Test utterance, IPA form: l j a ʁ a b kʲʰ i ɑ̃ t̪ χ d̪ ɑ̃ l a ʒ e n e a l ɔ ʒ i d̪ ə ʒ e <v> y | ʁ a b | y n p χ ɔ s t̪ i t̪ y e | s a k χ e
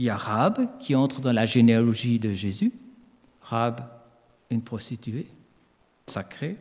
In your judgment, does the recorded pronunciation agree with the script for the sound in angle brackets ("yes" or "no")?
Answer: no